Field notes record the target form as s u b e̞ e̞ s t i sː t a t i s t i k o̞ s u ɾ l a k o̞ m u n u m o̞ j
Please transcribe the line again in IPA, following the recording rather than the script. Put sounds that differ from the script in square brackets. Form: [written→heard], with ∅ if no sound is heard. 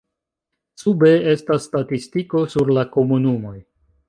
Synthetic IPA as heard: s u b e̞ e̞ s t [i→a] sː t a t i s t i k o̞ s u ɾ l a k o̞ m u n u m o̞ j